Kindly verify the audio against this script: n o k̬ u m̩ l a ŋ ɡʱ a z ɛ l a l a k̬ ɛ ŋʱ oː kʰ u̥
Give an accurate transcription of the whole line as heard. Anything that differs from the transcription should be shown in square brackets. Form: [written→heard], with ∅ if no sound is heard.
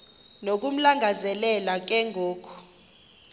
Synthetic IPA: n o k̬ u m̩ l a ŋ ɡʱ a z ɛ l [a→ɛ] l a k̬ ɛ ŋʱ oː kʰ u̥